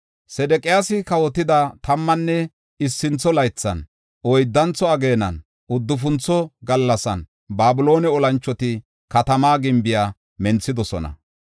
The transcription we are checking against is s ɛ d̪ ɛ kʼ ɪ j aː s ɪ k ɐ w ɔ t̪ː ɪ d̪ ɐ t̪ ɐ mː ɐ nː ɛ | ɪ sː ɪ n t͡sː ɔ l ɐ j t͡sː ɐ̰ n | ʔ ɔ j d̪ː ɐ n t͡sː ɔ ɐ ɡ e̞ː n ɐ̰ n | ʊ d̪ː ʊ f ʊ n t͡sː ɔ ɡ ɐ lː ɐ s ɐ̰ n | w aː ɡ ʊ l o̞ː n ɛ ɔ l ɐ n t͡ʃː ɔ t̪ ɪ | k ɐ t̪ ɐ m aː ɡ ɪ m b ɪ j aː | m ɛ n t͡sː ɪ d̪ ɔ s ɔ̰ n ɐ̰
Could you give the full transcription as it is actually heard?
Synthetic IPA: s ɛ d̪ ɛ kʼ ɪ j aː s ɪ k ɐ w ɔ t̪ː ɪ d̪ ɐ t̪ ɐ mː ɐ nː ɛ | ɪ sː ɪ n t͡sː ɔ l ɐ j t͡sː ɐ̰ n | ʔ ɔ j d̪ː ɐ n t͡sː ɔ ɐ ɡ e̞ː n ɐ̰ n | ʊ d̪ː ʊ f ʊ n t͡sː ɔ ɡ ɐ lː ɐ s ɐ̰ n | b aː b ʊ l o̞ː n ɛ ɔ l ɐ n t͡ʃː ɔ t̪ ɪ | k ɐ t̪ ɐ m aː ɡ ɪ m b ɪ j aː | m ɛ n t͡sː ɪ d̪ ɔ s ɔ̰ n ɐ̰